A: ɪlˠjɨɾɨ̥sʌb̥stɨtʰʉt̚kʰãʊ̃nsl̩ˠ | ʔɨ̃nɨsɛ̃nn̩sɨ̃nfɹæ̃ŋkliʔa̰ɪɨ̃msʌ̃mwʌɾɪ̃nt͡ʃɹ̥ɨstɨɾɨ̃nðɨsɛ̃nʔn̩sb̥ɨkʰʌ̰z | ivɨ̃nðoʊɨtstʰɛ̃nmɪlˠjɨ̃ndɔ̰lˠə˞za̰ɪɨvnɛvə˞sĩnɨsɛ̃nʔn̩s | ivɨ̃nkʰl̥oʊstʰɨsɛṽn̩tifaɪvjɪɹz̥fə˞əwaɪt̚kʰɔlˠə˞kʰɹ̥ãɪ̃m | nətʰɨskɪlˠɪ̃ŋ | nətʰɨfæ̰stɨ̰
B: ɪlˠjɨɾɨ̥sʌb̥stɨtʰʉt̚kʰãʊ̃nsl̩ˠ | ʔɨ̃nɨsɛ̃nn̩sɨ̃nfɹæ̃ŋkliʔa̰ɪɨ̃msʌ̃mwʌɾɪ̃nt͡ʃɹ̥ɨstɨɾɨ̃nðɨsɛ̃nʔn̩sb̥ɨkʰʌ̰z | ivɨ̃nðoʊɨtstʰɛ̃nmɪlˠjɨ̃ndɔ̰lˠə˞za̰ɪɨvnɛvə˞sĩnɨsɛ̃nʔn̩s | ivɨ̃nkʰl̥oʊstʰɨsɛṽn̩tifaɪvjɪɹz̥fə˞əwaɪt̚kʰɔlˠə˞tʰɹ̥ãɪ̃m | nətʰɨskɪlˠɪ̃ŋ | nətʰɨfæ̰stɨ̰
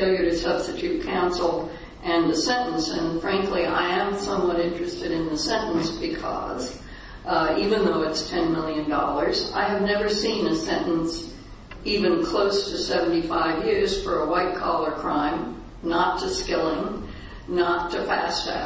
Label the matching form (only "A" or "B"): A